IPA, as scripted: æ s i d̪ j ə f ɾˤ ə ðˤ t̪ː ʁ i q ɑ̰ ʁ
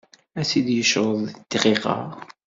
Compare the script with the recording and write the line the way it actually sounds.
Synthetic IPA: æ s i d̪ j ə ʃ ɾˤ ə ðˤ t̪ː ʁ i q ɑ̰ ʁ